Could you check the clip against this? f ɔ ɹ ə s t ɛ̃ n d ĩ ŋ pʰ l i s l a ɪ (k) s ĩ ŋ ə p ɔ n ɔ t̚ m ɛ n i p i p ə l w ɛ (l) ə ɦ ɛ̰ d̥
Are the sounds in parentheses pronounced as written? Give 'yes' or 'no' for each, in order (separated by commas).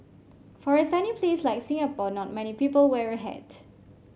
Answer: yes, no